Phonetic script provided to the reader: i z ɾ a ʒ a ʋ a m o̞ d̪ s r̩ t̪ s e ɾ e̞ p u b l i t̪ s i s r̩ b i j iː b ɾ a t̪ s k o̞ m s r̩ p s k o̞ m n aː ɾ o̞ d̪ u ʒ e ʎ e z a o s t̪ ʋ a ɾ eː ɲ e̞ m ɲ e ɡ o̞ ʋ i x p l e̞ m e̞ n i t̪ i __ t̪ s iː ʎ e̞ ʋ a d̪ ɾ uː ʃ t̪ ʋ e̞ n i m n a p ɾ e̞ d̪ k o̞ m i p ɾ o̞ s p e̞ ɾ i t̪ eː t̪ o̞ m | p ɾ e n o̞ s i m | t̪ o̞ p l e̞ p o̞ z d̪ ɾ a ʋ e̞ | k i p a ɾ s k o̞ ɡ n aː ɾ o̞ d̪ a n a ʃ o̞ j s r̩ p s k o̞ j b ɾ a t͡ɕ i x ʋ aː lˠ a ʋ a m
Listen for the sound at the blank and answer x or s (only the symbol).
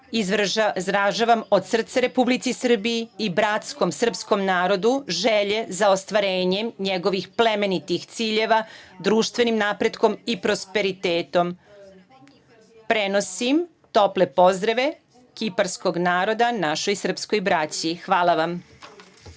x